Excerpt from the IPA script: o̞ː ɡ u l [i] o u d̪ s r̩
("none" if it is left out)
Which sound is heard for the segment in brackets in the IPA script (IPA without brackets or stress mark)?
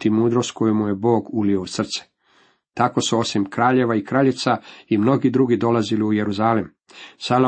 i